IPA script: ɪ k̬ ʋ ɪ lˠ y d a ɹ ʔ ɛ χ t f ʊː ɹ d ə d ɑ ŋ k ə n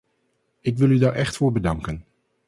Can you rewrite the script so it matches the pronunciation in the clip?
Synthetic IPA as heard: ɪ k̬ ʋ ɪ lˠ y d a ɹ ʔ ɛ χ t f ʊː ɹ b ə d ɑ ŋ k ə n